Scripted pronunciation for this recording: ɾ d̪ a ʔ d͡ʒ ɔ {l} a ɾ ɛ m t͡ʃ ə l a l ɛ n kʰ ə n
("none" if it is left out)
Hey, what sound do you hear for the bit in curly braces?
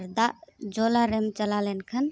l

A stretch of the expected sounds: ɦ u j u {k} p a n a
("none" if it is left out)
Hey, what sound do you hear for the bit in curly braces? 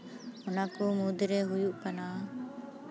ʔ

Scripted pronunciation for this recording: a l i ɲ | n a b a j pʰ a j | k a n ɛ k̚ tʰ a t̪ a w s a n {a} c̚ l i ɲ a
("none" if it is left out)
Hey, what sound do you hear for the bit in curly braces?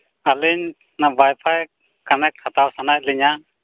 a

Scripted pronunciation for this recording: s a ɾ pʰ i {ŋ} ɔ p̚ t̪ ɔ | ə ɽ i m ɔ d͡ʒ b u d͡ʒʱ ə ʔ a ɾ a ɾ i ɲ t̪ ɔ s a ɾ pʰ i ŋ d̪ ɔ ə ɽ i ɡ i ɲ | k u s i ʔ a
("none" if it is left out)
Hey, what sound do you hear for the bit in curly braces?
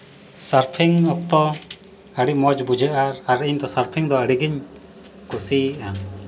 ŋ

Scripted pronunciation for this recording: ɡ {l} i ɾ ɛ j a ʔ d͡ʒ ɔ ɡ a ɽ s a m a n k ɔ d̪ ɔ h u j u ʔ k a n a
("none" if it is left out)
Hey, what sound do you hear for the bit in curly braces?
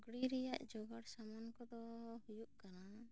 ɽ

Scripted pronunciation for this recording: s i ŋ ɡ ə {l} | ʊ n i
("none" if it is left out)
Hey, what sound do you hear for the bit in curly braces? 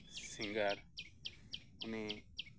ɾ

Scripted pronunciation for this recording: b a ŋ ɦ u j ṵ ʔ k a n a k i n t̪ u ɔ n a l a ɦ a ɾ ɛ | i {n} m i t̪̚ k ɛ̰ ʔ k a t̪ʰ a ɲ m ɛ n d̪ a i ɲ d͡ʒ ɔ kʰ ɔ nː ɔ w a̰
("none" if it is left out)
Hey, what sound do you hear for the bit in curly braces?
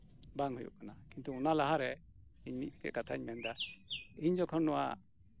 ɲ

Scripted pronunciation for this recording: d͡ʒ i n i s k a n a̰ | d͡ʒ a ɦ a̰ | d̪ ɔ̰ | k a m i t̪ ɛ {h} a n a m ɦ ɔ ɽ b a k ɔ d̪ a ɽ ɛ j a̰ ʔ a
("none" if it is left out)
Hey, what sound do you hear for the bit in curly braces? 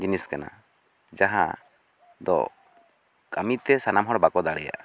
s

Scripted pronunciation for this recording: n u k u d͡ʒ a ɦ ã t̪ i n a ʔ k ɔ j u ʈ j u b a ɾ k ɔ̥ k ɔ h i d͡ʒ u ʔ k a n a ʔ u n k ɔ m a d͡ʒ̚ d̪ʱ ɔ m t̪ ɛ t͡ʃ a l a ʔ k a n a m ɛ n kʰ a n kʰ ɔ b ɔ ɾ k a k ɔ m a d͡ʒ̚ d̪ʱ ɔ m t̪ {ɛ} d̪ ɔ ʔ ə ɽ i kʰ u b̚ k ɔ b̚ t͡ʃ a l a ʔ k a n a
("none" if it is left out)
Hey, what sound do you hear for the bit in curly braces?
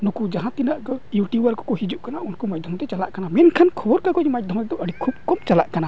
ɛ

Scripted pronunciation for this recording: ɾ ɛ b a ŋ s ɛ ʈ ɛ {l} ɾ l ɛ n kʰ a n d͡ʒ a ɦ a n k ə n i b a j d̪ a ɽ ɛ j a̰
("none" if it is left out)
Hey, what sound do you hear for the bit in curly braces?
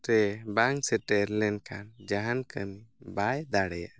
none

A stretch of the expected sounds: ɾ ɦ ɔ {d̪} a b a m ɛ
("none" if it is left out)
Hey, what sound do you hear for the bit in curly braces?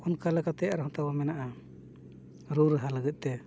t̪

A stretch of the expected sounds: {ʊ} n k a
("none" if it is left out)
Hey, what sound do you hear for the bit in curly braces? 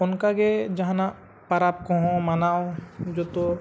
ʊ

